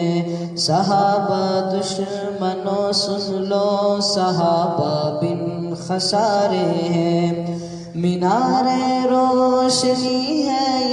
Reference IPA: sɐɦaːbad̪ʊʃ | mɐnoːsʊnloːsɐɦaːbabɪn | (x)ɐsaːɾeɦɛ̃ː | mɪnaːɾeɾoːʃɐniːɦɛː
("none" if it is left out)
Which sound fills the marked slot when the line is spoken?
x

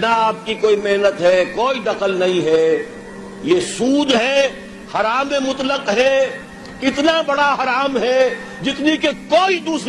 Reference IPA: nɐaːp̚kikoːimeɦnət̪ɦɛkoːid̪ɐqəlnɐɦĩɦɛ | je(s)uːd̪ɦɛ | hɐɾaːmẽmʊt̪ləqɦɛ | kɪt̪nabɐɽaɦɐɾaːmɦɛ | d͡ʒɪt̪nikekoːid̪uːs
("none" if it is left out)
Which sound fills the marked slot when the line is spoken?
s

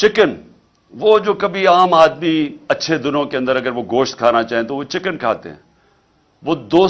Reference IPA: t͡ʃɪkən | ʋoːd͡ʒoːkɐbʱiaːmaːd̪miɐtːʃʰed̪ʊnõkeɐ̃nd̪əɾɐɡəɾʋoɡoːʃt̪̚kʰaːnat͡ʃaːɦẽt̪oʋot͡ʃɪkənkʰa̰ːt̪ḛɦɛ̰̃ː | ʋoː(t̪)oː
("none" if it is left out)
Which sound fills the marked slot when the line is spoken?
d̪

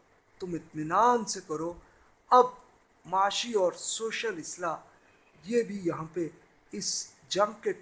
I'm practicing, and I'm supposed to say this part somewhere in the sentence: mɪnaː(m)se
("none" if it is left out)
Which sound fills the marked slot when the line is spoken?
n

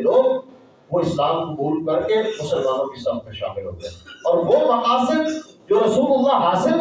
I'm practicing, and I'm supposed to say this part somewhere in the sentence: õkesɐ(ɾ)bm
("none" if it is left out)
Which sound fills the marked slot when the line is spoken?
none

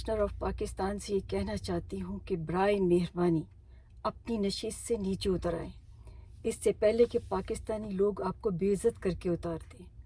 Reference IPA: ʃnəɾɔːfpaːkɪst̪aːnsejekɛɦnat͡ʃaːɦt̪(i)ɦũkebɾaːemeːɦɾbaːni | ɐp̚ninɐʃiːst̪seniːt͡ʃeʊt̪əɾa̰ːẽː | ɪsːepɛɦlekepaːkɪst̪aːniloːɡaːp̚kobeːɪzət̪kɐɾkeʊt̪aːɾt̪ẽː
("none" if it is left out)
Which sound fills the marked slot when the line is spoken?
i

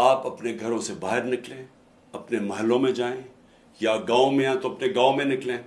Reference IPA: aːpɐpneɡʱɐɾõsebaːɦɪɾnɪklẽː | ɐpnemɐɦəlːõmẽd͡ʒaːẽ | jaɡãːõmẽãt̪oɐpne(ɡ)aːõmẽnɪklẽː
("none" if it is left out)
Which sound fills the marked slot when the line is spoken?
ɡ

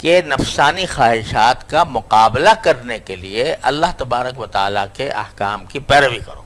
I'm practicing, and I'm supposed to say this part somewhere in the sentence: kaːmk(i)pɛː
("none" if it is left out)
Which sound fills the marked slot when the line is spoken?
i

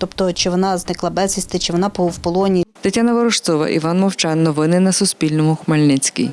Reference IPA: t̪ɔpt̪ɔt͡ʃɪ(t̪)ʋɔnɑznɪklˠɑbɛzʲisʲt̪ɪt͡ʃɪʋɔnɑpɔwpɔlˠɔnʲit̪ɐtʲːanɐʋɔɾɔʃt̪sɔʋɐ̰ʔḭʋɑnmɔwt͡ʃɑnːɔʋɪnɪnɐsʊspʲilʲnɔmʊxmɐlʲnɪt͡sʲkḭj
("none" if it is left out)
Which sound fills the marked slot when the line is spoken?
none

